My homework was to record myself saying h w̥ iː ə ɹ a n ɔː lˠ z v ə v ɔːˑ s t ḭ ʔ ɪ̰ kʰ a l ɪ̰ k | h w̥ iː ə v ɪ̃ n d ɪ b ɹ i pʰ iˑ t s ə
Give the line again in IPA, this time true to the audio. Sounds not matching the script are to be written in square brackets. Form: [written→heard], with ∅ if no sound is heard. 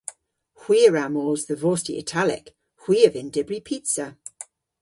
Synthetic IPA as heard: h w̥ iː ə ɹ a [n→m] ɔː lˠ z [v→ð] ə v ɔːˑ s t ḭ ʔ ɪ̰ [kʰ→tʰ] a l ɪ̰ k | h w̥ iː ə v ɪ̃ n d ɪ b ɹ i pʰ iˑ t s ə